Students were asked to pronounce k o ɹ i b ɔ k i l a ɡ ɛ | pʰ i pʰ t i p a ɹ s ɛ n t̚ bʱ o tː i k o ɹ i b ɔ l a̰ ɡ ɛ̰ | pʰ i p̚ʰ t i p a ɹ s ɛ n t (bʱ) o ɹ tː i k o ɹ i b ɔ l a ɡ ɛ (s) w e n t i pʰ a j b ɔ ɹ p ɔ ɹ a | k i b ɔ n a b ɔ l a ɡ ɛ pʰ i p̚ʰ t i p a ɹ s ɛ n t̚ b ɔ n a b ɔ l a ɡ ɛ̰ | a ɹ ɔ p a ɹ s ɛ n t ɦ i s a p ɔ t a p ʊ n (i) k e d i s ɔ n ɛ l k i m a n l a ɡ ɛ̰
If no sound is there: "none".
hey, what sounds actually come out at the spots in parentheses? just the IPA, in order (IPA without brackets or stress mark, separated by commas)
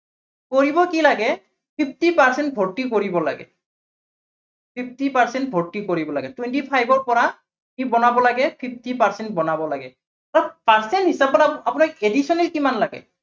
bʱ, t, a